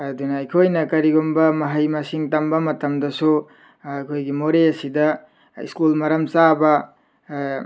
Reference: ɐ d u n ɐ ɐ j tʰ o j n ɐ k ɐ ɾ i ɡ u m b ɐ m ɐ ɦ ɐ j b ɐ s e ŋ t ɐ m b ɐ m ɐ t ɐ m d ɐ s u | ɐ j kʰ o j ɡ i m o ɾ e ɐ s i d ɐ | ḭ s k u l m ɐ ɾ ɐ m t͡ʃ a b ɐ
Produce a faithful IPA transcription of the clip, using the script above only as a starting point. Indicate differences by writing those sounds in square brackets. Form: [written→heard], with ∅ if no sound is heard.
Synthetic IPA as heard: ɐ d u n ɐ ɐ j [tʰ→kʰ] o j n ɐ k ɐ ɾ i ɡ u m b ɐ m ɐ ɦ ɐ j [b→m] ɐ s [e→i] ŋ t ɐ m b ɐ m ɐ t ɐ m d ɐ s u | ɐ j kʰ o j ɡ i m o ɾ e ɐ s i d ɐ | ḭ s k u l m ɐ ɾ ɐ m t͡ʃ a b ɐ